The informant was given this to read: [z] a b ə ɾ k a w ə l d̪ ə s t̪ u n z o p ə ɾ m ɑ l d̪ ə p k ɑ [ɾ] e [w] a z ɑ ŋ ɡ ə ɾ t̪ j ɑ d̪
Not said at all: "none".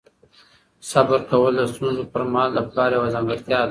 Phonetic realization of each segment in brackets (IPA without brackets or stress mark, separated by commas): s, ɾ, w